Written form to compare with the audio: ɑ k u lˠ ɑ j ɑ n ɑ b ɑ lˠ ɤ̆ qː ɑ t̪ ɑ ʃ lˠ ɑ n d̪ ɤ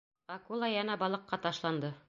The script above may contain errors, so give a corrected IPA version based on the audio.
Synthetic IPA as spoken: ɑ k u lˠ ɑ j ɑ n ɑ b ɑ lˠ ɤ̆ qː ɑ t̪ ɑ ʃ lˠ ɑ n d̪ ɤ